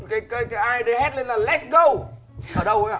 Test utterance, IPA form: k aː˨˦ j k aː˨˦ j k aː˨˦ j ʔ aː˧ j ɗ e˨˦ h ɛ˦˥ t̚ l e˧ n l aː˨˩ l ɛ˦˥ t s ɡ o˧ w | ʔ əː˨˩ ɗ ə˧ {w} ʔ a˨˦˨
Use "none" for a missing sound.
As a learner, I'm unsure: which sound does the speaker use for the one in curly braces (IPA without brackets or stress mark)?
w